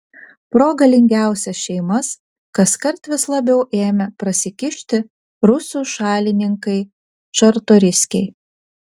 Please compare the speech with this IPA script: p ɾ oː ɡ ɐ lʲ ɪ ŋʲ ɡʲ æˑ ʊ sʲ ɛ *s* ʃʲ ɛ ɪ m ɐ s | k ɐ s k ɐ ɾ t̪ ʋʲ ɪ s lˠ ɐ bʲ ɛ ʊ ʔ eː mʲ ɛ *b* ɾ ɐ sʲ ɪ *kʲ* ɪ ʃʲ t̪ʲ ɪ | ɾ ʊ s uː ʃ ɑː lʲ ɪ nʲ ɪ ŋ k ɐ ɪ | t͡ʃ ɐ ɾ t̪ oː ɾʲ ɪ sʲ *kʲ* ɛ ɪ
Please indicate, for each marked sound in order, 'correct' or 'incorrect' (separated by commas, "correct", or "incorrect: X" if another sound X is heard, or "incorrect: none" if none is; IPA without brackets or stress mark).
correct, incorrect: p, correct, correct